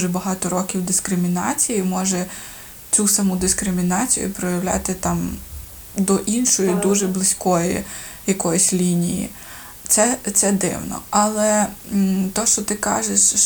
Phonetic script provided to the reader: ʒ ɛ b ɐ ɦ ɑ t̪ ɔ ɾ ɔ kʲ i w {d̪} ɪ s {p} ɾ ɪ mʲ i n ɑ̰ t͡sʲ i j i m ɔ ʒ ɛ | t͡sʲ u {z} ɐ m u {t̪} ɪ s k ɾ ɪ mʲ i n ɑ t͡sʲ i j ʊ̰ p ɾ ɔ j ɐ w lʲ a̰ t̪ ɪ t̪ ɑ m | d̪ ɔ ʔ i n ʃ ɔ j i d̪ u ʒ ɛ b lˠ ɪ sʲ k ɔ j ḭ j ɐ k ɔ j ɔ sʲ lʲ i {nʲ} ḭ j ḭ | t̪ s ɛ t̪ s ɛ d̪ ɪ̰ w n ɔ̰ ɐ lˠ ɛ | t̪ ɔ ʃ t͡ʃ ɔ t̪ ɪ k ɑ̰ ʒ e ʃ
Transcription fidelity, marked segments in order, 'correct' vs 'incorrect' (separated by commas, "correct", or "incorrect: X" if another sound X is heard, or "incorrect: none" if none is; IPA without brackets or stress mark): correct, incorrect: k, incorrect: s, incorrect: d̪, correct